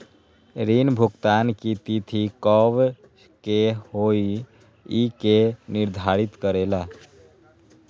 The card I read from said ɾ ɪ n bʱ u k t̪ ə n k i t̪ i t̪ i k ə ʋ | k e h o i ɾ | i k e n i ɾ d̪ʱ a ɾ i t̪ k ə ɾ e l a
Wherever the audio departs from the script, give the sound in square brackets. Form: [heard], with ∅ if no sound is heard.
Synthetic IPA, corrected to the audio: ɾ [i] n bʱ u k t̪ [a] n k i t̪ i [t̪ʰ] i k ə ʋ | k e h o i [∅] | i k e n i ɾ d̪ʱ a ɾ i t̪ k ə ɾ e l a